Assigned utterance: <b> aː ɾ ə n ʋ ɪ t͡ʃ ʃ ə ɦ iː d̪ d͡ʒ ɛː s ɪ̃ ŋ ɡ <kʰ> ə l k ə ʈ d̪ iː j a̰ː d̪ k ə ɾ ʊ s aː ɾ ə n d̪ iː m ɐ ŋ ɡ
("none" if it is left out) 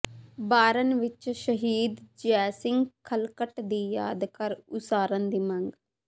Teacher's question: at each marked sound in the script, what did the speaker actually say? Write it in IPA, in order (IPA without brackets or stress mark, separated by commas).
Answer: b, kʰ